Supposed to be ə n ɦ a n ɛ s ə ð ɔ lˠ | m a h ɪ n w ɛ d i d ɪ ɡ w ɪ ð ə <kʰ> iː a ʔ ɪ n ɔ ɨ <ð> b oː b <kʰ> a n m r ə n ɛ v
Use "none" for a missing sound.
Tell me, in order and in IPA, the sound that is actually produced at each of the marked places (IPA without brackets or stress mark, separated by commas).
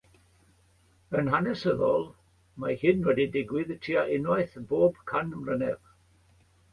tʰ, θ, kʰ